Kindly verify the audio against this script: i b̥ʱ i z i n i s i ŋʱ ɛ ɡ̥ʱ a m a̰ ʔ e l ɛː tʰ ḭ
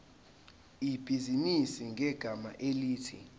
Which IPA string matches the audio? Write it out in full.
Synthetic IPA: i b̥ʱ i z i n i s i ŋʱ ɛ ɡ̥ʱ a m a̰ ʔ e l iː tʰ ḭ

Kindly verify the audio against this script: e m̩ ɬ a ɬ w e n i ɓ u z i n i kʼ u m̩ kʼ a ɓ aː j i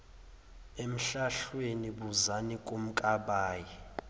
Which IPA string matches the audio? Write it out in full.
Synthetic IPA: e m̩ ɬ a ɬ w e n i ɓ u z a n i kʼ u m̩ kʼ a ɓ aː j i

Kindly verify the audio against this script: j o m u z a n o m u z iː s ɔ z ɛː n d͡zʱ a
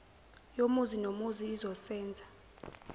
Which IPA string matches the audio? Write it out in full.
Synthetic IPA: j o m u z i n o m u z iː z ɔ s ɛː n d͡zʱ a

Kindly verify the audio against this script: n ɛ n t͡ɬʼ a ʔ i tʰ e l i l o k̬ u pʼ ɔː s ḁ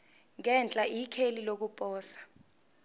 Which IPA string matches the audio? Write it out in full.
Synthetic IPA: ŋ ɛ n t͡ɬʼ a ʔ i kʰ e l i l o k̬ u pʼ ɔː s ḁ

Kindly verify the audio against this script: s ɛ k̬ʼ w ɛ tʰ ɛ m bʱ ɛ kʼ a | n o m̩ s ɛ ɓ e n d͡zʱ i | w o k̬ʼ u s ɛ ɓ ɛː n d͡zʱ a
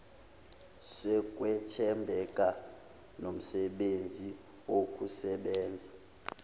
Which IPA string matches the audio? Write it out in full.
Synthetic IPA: s ɛ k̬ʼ w ɛ tʰ ɛ m bʱ ɛ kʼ a | n o m̩ s ɛ ɓ e n d͡zʱ i | w o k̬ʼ u s ɛ ɓ ɛː n d͡zʱ a

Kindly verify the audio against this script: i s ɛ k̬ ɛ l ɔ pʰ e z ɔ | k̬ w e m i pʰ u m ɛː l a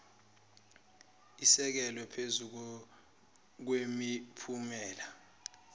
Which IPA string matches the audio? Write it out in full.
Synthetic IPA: i s ɛ k̬ ɛ l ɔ pʰ e z u | k̬ w e m i pʰ u m ɛː l a

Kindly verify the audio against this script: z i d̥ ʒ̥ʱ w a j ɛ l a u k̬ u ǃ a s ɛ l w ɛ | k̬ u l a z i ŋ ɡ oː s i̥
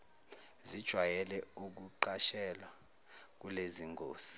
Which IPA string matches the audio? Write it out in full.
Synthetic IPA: z i d̥ ʒ̥ʱ w a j ɛ l ɛ u k̬ u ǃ a ʃ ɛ l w a | k̬ u l e z i ŋ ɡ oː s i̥

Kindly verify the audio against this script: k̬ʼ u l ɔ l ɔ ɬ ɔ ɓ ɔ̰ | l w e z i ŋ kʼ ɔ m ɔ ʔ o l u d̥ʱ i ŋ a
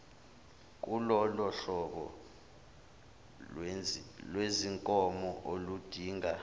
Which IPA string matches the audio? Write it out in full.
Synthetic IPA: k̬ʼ u l ɔ l ɔ ɬ ɔ ɓ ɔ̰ | l w e z i ŋ kʼ ɔ m ɔ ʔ o l u d̥ʱ iː ŋ a

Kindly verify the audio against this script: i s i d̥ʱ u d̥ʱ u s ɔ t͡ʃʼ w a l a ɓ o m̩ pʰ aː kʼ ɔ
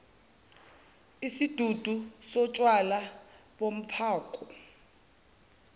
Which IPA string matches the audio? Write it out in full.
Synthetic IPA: i s i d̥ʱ u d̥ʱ u s ɔ t͡ʃʼ w a l a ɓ o m̩ pʰ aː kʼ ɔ

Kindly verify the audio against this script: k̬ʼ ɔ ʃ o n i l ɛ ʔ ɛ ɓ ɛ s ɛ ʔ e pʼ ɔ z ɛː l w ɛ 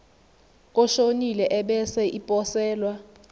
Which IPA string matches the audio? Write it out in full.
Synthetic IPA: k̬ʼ ɔ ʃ o n i l ɛ ʔ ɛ ɓ ɛ s ɛ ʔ i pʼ ɔ s ɛː l w a

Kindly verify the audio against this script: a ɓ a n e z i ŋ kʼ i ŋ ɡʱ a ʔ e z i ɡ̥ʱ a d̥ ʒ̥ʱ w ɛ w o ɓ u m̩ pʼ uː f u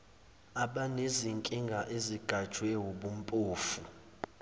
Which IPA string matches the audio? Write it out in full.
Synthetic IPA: a ɓ a n e z i ŋ kʼ i ŋ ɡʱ a ʔ e z i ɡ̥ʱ a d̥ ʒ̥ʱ w ɛ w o ɓ u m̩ pʼ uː f u

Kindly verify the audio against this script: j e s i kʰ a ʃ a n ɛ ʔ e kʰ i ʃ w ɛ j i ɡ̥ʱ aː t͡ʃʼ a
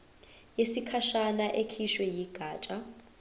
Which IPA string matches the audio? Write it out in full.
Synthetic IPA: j e s i kʰ a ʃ a n a ʔ e kʰ i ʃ w ɛ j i ɡ̥ʱ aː t͡ʃʼ a

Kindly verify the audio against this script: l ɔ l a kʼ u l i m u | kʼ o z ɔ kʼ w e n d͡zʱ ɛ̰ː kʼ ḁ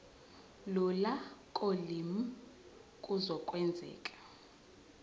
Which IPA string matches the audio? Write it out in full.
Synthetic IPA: l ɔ l a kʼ o l i m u | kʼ u z ɔ kʼ w ɛ n d͡zʱ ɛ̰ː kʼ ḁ

